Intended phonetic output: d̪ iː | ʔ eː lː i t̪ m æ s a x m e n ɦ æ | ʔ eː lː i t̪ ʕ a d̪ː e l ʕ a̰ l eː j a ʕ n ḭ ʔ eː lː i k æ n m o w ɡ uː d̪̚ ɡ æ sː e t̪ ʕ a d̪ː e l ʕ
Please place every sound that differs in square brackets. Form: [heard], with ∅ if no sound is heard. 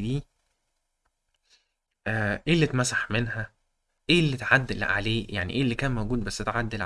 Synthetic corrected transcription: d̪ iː | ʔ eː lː i t̪ m æ s a [ħ] m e n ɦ æ | ʔ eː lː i t̪ ʕ a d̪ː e l ʕ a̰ l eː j a ʕ n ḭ ʔ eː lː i k [æː] n m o w ɡ uː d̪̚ [b] æ sː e t̪ ʕ a d̪ː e l ʕ